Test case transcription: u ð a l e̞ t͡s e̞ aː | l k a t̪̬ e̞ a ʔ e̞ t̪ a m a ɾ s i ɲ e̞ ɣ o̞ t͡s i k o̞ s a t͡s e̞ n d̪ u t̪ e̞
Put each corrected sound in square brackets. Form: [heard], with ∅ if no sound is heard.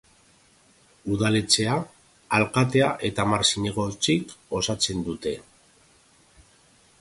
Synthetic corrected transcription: u ð a l e̞ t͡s e̞ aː | l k a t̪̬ e̞ a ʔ e̞ t̪ a m a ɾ s i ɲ e̞ ɣ o̞ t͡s i k o̞ s a t͡s e̞ n d̪ u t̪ e̞